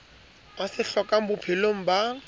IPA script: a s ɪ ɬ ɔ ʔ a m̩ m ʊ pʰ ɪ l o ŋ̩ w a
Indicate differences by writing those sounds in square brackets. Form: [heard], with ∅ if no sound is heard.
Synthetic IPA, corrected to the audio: a s ɪ ɬ ɔ [k] a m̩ [b] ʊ pʰ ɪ l o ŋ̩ [b] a